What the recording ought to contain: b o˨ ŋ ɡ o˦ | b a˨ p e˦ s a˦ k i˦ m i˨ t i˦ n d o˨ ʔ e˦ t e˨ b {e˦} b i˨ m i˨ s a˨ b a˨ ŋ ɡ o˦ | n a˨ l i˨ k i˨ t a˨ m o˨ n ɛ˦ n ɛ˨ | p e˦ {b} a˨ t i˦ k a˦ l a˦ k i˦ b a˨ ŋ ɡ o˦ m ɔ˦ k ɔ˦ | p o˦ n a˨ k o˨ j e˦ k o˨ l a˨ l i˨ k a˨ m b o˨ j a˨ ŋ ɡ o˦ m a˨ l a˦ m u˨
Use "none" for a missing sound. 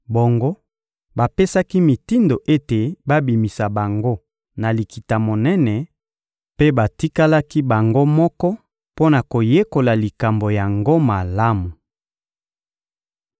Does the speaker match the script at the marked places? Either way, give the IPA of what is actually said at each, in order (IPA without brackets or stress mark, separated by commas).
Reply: a˦, b